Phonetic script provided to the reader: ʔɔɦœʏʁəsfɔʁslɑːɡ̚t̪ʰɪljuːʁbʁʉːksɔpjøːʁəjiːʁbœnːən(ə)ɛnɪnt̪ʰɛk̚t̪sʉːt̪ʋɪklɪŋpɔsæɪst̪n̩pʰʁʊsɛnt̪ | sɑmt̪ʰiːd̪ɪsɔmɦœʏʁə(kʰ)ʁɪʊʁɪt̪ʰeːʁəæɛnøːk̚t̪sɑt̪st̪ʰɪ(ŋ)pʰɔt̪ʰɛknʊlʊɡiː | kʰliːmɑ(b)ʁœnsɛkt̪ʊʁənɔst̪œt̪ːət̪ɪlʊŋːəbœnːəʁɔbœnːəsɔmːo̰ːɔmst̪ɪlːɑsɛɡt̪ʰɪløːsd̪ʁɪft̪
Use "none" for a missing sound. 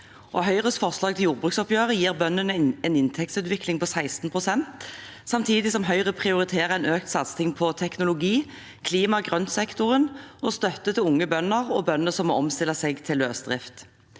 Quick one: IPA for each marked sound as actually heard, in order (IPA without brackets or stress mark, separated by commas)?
ə, pʰ, ŋ, ɡ